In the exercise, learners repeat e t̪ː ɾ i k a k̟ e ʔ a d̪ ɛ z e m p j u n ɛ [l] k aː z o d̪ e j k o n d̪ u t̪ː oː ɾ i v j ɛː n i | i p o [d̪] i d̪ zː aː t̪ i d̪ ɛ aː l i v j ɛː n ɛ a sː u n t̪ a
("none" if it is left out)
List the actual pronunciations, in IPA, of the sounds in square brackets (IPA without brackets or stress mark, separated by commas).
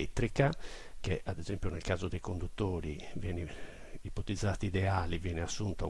l, t̪